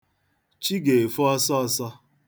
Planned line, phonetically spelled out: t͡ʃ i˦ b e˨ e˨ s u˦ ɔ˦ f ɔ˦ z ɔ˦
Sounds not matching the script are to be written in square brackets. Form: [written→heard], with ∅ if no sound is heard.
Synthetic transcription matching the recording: t͡ʃ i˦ [b→ɡ] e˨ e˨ [s→f] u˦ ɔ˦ [f→s] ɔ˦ [z→s] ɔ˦

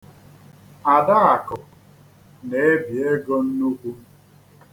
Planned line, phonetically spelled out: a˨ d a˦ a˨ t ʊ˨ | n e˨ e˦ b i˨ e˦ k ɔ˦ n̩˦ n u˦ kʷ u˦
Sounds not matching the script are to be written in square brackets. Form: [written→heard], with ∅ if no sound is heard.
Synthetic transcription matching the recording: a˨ d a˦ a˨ [t→k] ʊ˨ | n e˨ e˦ b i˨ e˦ [k→ɡ] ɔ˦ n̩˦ n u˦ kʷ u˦

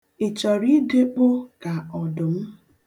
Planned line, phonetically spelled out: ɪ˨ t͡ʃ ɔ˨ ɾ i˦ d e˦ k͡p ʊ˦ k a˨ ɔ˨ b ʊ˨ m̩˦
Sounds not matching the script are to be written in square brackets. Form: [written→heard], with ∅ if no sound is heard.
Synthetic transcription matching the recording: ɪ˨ t͡ʃ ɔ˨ ɾ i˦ d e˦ k͡p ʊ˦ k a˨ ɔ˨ [b→d] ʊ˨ m̩˦

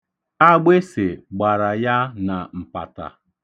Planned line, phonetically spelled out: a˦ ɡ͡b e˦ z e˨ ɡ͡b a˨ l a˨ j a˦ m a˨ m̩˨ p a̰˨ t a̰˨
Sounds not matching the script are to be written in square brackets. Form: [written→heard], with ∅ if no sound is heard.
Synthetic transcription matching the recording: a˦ ɡ͡b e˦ [z→s] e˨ ɡ͡b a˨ [l→ɾ] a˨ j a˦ [m→n] a˨ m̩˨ p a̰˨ t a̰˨

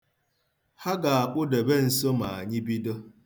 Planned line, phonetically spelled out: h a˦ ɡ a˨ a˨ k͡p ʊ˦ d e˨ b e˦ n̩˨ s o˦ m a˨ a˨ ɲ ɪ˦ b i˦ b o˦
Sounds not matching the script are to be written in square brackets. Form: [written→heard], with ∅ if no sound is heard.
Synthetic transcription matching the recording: h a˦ ɡ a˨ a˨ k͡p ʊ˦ d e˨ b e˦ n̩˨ s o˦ m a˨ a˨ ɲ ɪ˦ b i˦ [b→d] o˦

